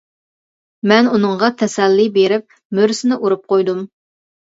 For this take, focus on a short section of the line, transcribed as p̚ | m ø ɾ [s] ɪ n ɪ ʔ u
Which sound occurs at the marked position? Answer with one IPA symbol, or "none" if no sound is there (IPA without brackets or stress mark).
s